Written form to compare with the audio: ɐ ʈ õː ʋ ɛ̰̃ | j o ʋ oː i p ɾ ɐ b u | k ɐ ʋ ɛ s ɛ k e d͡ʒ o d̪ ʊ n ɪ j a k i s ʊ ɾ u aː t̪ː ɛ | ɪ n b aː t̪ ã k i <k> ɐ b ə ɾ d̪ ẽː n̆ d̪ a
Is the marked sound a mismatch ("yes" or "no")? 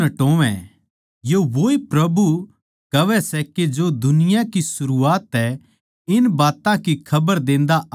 yes